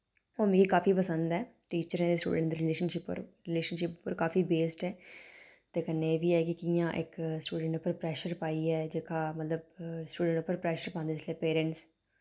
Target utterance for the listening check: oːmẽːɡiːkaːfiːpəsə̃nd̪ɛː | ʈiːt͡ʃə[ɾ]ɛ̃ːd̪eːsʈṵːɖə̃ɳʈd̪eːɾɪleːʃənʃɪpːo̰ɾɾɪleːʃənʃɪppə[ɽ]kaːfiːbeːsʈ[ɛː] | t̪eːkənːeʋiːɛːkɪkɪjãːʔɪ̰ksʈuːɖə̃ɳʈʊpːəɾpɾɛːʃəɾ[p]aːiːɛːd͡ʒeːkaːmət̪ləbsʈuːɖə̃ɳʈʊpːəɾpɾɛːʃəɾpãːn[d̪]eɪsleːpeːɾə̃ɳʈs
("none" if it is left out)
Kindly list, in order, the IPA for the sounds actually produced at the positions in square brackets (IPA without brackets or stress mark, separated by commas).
ɾ, ɾ, ɛː, p, d̪